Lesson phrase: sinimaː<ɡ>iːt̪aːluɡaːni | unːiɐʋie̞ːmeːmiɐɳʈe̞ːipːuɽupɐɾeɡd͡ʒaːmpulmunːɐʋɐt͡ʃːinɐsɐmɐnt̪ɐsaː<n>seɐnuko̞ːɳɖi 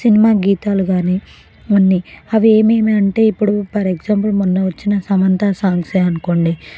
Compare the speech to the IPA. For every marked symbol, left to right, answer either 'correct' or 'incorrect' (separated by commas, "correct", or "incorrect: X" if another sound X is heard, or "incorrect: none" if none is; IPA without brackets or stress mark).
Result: correct, incorrect: ŋ